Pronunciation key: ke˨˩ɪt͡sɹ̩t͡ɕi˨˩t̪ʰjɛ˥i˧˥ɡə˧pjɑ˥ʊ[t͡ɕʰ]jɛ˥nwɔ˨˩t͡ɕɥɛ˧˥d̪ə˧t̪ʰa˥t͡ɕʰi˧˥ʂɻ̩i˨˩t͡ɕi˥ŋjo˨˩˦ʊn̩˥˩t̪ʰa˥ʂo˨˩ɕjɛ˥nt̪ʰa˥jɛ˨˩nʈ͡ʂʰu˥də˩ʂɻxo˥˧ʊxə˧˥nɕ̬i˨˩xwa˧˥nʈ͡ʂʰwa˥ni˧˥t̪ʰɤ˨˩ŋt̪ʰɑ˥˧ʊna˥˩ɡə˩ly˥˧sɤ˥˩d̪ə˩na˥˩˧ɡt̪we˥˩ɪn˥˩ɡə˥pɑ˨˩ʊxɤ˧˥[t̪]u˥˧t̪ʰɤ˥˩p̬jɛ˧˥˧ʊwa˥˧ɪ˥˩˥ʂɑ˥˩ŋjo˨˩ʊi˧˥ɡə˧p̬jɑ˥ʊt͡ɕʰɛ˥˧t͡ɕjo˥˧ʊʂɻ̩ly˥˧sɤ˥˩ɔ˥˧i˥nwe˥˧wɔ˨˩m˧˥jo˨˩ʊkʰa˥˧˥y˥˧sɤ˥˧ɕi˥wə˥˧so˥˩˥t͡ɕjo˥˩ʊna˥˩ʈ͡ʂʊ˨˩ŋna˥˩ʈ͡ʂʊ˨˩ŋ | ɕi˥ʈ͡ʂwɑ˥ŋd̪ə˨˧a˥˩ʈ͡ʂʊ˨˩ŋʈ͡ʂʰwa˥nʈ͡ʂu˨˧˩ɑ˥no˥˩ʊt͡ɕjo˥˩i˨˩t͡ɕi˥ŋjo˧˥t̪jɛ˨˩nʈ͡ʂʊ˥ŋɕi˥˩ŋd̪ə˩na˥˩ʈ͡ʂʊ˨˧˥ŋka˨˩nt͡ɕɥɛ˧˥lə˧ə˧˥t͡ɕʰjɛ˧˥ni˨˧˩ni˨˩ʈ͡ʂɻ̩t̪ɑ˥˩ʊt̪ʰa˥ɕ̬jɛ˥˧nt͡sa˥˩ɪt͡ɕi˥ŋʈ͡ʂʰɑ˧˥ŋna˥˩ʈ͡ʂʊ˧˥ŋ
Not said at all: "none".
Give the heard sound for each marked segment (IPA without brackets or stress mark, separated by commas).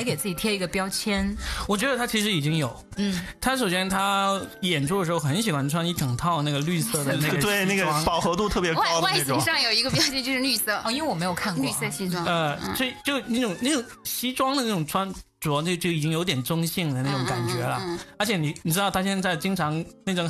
t͡ɕʰ, t̪